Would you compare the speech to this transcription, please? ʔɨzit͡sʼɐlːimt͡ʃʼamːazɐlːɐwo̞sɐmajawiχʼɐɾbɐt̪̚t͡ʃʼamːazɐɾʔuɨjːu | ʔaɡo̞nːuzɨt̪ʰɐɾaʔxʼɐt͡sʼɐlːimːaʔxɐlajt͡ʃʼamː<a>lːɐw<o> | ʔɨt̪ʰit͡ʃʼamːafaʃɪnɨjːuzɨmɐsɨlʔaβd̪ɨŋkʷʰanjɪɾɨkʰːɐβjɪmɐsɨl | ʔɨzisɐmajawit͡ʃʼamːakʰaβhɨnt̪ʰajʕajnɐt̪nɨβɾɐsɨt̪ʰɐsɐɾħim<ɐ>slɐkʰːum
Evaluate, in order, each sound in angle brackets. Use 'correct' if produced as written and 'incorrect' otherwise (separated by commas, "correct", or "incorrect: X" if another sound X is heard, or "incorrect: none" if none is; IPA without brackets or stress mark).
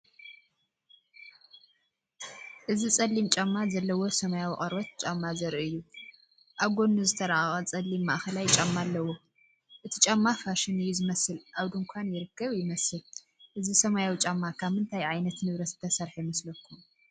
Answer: correct, correct, correct